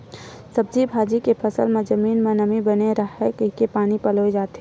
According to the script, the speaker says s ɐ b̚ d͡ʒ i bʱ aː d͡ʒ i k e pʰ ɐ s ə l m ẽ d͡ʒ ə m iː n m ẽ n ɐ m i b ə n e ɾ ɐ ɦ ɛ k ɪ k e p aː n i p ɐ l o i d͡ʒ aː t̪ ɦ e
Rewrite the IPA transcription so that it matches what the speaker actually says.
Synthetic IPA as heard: s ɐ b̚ d͡ʒ i bʱ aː d͡ʒ i k e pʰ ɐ s ə l m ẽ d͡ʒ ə m iː n m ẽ n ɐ m i b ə n e ɾ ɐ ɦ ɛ k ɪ k e p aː n i p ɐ l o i d͡ʒ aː t̪ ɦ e